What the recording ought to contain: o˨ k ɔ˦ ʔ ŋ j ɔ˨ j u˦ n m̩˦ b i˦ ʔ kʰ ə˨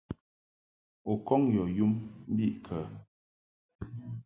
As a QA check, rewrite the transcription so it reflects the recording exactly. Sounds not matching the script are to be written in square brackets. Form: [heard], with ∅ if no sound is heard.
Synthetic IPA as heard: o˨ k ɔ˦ [∅] ŋ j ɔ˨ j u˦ [m] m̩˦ b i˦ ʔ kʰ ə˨